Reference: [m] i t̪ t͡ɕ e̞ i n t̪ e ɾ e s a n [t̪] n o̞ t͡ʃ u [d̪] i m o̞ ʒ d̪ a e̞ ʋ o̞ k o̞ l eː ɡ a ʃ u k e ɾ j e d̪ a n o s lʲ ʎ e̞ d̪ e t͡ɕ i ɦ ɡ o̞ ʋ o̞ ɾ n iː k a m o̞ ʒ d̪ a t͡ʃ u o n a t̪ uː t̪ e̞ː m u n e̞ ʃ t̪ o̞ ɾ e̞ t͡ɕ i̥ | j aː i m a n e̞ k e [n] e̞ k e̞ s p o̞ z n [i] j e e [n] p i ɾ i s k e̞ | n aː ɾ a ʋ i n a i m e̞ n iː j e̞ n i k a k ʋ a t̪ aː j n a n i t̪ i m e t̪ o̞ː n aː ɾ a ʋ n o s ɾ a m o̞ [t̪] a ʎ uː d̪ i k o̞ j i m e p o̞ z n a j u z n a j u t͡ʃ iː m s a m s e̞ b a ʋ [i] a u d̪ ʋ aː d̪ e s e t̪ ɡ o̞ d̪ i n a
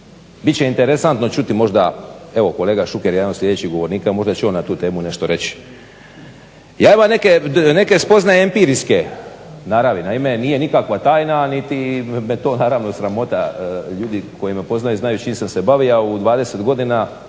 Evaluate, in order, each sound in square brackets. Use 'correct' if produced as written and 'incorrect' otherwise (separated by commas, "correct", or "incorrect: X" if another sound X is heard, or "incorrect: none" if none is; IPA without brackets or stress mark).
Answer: incorrect: b, correct, incorrect: t̪, correct, incorrect: a, incorrect: m, correct, correct